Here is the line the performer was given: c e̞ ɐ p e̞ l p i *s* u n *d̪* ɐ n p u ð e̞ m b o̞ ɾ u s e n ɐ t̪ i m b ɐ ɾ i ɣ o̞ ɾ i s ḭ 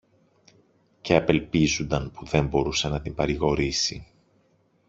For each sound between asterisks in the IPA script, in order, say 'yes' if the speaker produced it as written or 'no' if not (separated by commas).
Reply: no, yes